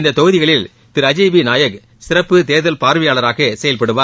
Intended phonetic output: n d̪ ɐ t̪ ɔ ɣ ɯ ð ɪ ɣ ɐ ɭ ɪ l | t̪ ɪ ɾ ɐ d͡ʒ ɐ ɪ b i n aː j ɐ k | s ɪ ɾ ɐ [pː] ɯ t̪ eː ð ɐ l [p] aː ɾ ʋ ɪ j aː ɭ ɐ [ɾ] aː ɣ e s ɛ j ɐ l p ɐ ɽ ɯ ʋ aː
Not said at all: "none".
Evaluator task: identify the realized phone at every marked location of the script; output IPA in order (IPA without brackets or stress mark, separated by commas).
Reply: pː, p, ɾ